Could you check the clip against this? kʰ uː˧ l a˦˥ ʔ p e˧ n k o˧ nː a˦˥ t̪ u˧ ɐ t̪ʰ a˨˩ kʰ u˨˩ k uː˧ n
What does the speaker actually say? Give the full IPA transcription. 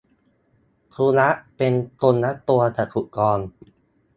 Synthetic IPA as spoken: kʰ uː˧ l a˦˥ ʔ p e˧ n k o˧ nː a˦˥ t̪ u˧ ɐ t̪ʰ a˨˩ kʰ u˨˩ k ɔː˧ n